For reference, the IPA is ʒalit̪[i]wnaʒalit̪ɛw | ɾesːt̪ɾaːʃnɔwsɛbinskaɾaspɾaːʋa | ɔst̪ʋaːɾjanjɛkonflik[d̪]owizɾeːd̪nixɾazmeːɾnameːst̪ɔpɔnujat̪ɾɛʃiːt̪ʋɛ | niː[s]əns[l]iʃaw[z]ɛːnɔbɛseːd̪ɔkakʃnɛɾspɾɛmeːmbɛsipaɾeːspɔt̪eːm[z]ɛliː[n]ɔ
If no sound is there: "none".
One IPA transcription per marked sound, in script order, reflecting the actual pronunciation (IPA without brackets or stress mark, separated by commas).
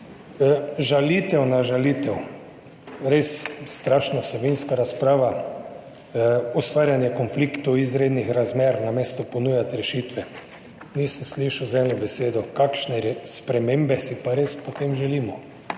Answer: ɛ, t̪, s, l, z, ʒ, m